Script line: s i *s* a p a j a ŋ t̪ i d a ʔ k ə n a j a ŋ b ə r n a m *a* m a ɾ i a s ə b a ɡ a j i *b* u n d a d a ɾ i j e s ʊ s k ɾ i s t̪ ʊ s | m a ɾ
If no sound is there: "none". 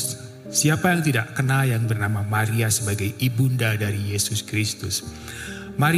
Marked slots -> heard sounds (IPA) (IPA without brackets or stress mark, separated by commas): none, a, b